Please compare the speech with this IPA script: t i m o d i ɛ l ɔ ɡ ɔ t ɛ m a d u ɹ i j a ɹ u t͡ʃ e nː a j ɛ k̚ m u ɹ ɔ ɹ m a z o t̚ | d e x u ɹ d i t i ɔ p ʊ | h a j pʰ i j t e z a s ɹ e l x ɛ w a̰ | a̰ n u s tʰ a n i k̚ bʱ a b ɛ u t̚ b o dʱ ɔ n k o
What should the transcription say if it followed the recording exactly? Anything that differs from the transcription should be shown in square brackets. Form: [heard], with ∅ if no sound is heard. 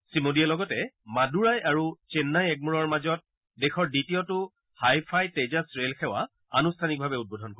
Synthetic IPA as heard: [s] i m o d i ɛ l ɔ ɡ ɔ t ɛ m a d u ɹ [a] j a ɹ u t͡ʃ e nː a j ɛ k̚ m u ɹ ɔ ɹ m a z [ɔ] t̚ | d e x [ɔ] ɹ d i t i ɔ [t] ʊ | h a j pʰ [a] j t e z a s ɹ e l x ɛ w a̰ | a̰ n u s tʰ a n i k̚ bʱ a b ɛ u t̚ b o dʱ ɔ n k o